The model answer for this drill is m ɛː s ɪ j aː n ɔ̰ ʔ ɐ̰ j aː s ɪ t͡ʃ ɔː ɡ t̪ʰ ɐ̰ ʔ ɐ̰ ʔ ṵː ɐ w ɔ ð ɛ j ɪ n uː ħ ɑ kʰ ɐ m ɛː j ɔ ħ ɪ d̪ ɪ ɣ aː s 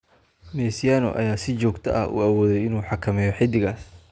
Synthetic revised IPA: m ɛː s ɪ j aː n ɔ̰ ʔ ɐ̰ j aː s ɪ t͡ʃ ɔː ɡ t̪ʰ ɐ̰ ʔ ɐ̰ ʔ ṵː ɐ w ɔː ð ɛ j ɪ n uː ħ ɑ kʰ ɐ m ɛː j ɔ ħ ɪ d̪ ɪ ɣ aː s